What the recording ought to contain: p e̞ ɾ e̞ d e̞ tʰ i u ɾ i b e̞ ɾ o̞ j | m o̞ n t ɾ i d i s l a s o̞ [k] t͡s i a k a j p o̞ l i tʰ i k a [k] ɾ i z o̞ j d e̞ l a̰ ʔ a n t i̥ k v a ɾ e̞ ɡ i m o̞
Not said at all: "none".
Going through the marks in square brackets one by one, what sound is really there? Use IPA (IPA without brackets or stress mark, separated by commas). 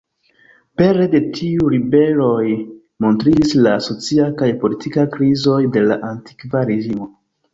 none, k